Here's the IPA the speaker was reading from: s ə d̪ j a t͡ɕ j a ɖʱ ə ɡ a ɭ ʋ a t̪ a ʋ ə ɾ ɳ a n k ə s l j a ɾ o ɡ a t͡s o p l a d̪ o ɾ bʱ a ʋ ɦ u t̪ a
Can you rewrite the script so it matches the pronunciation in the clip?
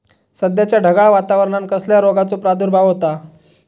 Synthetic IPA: s ə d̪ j a t͡ɕ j a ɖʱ ə ɡ a ɭ ʋ a t̪ a ʋ ə ɾ ɳ a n k ə s l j a ɾ o ɡ a t͡s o p ɾ a d̪ u ɾ bʱ a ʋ ɦ o t̪ a